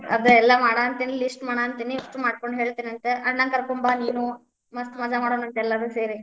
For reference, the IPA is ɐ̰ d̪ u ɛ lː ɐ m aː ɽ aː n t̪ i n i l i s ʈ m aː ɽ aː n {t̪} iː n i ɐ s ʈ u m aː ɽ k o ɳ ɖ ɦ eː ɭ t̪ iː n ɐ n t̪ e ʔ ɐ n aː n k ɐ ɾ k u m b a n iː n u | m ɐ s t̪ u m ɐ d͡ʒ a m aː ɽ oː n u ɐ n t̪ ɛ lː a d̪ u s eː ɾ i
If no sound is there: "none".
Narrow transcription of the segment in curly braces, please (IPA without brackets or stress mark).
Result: t̪